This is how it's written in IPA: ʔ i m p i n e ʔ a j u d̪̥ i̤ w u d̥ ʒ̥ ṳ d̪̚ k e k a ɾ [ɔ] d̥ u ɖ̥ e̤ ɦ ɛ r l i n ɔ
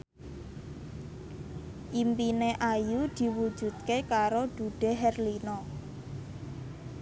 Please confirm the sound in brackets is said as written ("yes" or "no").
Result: no